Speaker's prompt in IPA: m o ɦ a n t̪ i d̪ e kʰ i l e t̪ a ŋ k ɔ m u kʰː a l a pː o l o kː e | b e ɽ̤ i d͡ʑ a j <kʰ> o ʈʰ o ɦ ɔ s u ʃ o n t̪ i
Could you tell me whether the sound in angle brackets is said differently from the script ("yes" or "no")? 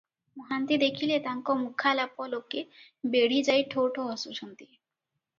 yes